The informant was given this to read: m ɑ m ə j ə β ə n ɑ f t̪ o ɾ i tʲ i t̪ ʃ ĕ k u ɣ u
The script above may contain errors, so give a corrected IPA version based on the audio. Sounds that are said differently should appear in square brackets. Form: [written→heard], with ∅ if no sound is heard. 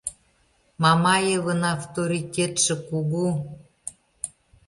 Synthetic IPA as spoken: m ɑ m [ə→ɑ] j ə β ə n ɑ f t̪ o ɾ i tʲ [i→e] t̪ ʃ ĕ k u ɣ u